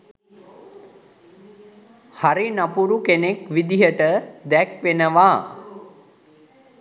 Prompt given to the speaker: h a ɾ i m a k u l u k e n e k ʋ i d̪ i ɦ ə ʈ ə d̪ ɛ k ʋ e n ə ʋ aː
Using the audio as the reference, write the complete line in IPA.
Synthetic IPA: h a ɾ i n a p u ɾ u k e n e k ʋ i d̪ i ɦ ə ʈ ə d̪ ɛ k ʋ e n ə ʋ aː

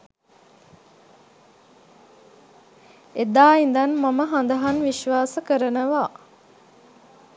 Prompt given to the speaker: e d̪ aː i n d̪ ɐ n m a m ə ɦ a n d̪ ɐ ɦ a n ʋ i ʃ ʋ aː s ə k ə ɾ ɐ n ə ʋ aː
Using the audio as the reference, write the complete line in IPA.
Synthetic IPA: e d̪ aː i n d̪ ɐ n m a m ə ɦ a n d̪ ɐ ɦ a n ʋ i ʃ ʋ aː s ə k ə ɾ ə n ə ʋ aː

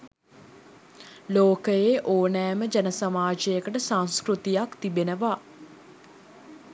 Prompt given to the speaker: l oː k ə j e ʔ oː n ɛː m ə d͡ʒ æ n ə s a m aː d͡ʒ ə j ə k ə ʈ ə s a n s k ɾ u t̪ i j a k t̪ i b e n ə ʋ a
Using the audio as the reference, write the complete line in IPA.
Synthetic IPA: l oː k ə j e ʔ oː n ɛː m ə d͡ʒ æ n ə s a m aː d͡ʒ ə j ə k ə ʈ ə s a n s k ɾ u t̪ i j a k t̪ i b e n ə ʋ a

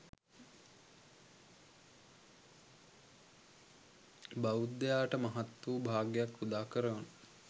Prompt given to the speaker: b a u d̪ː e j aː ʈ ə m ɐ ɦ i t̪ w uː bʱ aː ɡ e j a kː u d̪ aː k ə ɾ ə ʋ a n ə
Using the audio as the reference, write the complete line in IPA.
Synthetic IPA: b a u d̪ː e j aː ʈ ə m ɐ ɦ a t̪ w uː bʱ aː ɡ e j a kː u d̪ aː k ə ɾ ə ʋ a n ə

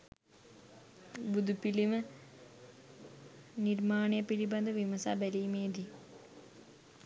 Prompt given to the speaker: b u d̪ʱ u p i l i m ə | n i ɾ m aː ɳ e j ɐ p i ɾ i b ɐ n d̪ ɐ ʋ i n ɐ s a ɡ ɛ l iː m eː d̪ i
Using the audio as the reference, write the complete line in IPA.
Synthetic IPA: b u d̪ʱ u p i l i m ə | n i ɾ m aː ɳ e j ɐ p i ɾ i b ɐ n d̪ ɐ ʋ i m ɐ s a b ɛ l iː m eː d̪ i

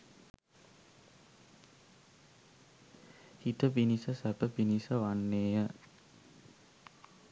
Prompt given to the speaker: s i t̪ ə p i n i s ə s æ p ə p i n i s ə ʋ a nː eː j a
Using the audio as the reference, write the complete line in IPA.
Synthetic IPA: h i t̪ ə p i n i s ə s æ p ə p i n i s ə ʋ a nː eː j ə

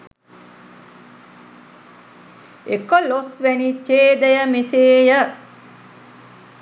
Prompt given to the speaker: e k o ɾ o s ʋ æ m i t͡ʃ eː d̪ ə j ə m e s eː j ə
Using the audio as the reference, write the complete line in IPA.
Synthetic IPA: e k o l o s ʋ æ n i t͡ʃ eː d̪ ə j ə m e s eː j ə

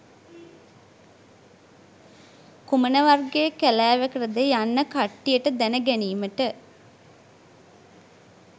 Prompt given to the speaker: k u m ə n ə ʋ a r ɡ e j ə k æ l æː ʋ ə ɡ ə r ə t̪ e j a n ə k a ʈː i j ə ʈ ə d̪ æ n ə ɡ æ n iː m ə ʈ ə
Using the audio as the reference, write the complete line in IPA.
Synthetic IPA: k u m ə n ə ʋ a r ɡ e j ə k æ l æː ʋ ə k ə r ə d̪ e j a nː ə k a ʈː i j ə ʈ ə d̪ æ n ə ɡ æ n iː m ə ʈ ə

